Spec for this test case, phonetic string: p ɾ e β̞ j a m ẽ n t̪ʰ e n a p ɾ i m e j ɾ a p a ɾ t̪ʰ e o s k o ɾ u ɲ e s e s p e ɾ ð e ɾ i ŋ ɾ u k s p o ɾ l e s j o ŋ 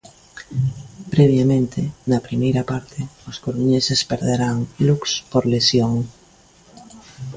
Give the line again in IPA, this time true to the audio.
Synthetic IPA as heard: p ɾ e β̞ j a m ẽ n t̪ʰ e n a p ɾ i m e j ɾ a p a ɾ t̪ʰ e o s k o ɾ u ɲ e s e s p e ɾ ð e ɾ a ŋ l u k s p o ɾ l e s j o ŋ